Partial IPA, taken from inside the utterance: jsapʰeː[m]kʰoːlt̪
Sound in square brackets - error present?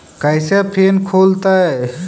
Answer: yes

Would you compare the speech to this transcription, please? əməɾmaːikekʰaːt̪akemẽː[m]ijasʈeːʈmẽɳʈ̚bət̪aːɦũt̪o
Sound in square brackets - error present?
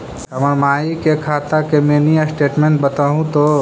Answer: yes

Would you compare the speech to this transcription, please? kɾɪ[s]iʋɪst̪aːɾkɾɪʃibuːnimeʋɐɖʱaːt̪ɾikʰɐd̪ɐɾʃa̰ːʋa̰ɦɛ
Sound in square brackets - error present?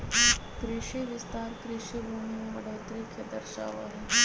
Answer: yes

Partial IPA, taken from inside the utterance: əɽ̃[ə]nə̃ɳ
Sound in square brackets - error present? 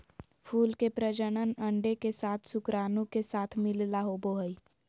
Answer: no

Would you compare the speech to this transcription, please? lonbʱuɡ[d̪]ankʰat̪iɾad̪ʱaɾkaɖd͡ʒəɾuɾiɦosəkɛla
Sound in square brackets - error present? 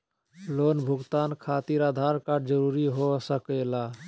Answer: yes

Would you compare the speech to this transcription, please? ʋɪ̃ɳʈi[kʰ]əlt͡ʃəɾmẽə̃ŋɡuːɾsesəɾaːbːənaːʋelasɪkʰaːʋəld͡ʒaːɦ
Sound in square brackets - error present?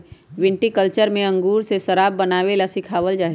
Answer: yes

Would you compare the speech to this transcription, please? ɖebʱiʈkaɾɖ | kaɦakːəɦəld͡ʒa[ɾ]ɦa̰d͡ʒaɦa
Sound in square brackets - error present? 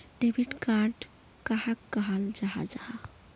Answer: yes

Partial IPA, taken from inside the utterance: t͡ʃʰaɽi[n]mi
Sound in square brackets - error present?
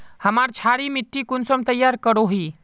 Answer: yes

